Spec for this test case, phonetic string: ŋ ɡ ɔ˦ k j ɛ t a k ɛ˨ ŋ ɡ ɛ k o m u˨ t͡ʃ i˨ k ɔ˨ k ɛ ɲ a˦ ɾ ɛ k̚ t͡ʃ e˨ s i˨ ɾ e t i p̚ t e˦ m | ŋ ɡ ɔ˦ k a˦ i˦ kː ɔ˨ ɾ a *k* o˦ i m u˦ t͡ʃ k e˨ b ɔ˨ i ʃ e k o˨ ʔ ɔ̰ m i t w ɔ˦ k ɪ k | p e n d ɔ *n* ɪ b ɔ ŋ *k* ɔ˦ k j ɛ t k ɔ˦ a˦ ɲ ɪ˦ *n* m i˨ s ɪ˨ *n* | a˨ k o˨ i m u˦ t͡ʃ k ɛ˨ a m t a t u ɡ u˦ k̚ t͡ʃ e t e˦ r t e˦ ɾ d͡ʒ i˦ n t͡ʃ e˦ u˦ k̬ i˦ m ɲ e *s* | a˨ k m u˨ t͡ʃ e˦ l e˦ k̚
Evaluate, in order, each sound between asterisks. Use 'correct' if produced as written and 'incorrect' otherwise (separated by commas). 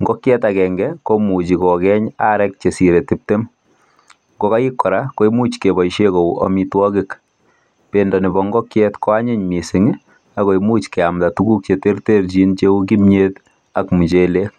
correct, correct, incorrect, incorrect, incorrect, incorrect